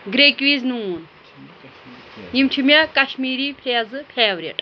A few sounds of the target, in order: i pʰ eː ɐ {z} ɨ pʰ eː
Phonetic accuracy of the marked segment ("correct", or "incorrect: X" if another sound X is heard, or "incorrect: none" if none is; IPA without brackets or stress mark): correct